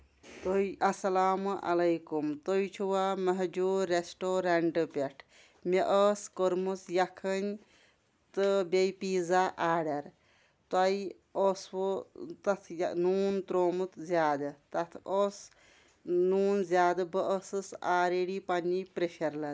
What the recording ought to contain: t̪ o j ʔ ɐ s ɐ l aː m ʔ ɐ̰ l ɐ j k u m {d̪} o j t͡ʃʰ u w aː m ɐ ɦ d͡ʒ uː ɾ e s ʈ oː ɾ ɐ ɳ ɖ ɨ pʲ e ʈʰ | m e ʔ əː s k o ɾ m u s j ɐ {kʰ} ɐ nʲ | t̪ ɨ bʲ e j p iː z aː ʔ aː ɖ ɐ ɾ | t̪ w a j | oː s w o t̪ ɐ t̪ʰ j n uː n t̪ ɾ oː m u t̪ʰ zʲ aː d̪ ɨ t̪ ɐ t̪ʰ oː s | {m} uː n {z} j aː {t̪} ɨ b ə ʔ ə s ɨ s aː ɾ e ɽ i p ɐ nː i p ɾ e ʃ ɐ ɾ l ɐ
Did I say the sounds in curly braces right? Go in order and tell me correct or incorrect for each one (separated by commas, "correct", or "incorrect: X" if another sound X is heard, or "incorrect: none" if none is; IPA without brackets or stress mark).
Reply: incorrect: t̪, correct, incorrect: n, correct, incorrect: d̪